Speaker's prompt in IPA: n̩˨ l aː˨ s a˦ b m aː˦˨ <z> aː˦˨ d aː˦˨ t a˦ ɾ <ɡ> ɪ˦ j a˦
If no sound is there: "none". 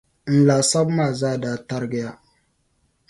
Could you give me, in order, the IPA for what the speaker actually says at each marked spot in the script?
z, ɡ

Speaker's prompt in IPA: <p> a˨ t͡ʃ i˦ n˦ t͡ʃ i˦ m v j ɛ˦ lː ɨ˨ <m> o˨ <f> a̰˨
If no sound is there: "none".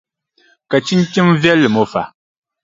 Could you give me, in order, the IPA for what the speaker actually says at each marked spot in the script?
k, m, f

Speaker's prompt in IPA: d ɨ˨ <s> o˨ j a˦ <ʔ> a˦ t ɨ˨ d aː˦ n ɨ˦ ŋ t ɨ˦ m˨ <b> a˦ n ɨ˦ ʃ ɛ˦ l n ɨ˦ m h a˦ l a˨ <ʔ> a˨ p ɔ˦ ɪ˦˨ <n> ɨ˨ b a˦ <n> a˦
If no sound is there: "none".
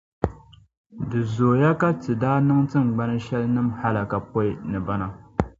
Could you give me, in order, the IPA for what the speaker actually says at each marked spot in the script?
z, k, ɡ͡b, k, n, n

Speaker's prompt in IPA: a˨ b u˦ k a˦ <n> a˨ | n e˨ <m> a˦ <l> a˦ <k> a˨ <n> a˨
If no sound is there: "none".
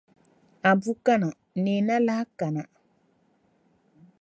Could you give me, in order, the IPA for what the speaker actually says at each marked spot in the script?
n, n, l, k, n

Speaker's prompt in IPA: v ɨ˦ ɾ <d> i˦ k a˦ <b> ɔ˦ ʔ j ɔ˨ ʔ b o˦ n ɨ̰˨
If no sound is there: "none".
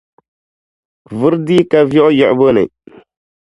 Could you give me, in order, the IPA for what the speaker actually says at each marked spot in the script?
d, v

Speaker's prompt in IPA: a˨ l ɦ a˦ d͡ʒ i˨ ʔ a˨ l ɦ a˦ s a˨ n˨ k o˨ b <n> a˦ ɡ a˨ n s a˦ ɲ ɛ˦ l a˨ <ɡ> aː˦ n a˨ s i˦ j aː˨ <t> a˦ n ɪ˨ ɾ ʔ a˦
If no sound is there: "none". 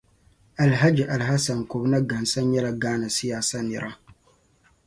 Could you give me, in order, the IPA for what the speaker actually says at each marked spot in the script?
n, ɡ, s

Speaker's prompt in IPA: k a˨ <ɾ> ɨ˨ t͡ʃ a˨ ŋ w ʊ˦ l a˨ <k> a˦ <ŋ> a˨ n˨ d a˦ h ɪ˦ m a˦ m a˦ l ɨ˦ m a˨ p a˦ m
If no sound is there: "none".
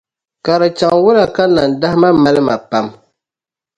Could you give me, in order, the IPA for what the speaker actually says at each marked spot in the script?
ɾ, k, n

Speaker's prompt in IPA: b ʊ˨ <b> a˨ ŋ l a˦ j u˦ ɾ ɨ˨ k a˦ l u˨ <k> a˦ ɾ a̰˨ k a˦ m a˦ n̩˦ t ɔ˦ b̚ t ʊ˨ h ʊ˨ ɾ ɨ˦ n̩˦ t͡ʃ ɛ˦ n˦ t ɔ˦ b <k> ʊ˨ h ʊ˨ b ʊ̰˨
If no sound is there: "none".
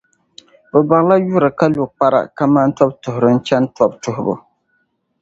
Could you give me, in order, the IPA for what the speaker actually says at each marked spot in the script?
b, k͡p, t

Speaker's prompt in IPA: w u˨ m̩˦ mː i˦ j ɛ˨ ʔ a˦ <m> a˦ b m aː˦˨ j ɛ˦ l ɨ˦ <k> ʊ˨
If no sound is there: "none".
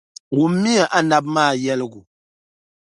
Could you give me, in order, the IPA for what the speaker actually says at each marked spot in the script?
n, ɡ

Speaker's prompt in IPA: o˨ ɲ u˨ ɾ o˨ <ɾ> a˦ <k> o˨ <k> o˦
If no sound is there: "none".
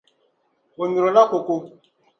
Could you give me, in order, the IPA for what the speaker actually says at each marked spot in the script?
l, k, k

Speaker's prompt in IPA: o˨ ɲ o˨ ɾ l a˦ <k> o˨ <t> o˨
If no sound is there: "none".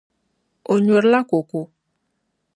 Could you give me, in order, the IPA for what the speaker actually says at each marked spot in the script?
k, k

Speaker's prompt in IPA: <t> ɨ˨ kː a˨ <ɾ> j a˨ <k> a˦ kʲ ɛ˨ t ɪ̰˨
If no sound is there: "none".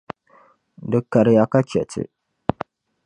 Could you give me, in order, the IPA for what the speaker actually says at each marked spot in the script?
d, ɾ, k

